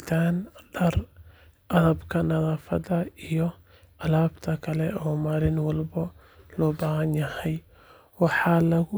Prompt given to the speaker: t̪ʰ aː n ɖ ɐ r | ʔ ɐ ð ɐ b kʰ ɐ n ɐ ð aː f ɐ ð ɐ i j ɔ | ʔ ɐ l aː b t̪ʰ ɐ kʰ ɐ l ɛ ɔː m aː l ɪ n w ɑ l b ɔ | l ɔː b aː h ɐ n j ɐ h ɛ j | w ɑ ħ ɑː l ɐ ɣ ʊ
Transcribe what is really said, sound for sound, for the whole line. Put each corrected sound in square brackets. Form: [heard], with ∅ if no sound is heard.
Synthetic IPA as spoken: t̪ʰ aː n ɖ ɐ r | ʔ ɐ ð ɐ b kʰ ɐ n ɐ ð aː f ɐ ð ɐ i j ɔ | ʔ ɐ l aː b t̪ʰ ɐ kʰ ɐ l ɛ ɔː m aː l ɪ n w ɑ l b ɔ | l ɔː b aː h ɐ n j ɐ h ɛ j | w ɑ ħ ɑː l ɐ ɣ ʊ